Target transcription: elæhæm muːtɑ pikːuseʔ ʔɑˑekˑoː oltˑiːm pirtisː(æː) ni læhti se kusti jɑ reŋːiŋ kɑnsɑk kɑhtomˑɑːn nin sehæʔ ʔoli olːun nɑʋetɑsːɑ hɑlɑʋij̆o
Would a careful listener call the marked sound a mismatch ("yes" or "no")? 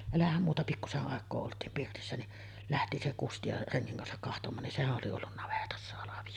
yes